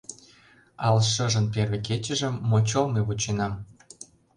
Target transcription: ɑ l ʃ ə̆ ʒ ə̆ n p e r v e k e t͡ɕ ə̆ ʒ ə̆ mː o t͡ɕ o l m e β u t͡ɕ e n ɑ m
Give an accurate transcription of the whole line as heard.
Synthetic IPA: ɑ l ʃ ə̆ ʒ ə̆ n p e r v e k e t͡ɕ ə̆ ʒ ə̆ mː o t͡ɕ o l m e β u t͡ɕ e n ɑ m